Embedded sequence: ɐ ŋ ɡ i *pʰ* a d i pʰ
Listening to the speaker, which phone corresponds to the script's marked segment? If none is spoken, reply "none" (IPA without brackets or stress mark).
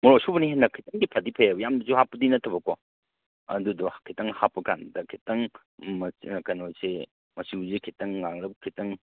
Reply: pʰ